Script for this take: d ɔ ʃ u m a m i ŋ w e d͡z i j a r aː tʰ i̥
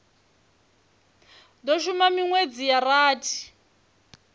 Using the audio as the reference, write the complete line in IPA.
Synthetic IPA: d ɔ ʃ u m a m i ŋ w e d͡z i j a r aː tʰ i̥